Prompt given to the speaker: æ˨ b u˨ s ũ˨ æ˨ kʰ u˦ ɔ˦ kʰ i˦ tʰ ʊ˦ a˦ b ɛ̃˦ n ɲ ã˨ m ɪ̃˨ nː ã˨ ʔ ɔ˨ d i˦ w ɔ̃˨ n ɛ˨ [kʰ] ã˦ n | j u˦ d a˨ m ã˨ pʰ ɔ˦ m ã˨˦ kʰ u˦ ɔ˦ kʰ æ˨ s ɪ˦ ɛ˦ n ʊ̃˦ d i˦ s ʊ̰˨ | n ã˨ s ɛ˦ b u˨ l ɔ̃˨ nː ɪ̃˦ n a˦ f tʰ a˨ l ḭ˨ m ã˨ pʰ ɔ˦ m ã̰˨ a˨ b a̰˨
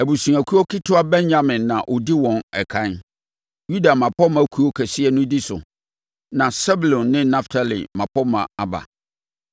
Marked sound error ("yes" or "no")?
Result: no